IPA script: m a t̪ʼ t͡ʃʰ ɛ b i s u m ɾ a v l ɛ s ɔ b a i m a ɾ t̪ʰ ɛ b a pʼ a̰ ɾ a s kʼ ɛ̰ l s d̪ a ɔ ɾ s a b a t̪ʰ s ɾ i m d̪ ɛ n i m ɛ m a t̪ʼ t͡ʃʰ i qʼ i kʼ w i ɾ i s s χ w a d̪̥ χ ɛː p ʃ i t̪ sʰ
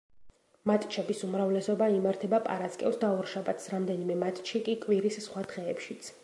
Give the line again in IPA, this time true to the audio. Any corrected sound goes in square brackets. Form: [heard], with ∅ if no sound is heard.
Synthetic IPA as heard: m a t̪ʼ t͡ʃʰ ɛ b i s u m ɾ a v l ɛ s ɔ b a i m a ɾ t̪ʰ ɛ b a pʼ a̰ ɾ a s kʼ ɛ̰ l s d̪ a ɔ ɾ [ʃ] a b a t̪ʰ s ɾ [a] m d̪ ɛ n i m ɛ m a t̪ʼ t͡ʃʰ i [kʼ] i kʼ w i ɾ i s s χ w a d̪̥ [ʁ] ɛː p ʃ i t̪ sʰ